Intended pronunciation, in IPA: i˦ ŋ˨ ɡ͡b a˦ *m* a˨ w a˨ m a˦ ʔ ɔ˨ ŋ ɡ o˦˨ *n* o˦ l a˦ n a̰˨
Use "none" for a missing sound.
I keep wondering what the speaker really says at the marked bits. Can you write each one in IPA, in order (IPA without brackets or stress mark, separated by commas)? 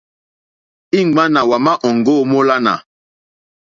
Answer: n, m